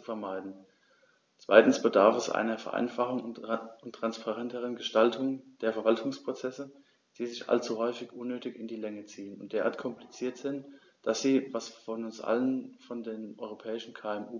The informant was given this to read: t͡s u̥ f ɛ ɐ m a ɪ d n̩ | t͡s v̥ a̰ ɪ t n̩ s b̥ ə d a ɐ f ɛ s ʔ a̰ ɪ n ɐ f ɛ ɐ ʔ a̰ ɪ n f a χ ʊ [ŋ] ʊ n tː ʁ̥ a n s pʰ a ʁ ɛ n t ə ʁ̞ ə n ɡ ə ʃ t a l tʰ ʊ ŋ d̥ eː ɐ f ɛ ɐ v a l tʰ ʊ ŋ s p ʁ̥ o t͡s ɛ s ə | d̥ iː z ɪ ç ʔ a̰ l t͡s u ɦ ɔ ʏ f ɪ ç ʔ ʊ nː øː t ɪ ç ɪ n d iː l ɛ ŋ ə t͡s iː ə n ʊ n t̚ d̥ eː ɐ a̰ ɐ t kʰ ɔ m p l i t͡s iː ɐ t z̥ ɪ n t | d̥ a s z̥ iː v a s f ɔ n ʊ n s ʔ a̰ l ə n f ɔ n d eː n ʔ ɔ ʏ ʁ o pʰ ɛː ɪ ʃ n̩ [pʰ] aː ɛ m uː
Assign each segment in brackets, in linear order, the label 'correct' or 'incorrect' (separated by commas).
correct, incorrect